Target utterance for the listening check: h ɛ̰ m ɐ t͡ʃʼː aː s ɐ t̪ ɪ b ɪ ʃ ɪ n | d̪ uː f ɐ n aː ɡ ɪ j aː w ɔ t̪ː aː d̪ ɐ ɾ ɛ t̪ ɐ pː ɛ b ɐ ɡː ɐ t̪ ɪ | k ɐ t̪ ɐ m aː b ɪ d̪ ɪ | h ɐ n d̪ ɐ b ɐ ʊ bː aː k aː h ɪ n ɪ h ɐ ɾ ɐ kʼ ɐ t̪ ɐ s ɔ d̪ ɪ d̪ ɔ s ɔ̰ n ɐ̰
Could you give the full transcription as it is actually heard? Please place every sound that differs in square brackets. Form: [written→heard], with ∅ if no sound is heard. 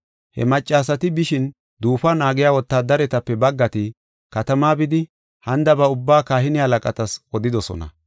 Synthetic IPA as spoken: h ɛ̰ m ɐ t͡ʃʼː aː s ɐ t̪ ɪ b ɪ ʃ ɪ n | d̪ uː f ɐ n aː ɡ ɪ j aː w ɔ t̪ː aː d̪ ɐ ɾ ɛ t̪ ɐ pː ɛ b ɐ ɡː ɐ t̪ ɪ | k ɐ t̪ ɐ m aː b ɪ d̪ ɪ | h ɐ n d̪ ɐ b ɐ ʊ bː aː k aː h ɪ n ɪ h ɐ [ɾ→l] ɐ kʼ ɐ t̪ ɐ s ɔ d̪ ɪ d̪ ɔ s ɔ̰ n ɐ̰